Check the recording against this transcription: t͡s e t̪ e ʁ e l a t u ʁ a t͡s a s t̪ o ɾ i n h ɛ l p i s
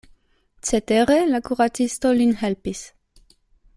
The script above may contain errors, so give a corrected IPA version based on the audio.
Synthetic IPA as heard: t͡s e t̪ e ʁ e l a k u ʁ a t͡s i s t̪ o l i n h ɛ l p i s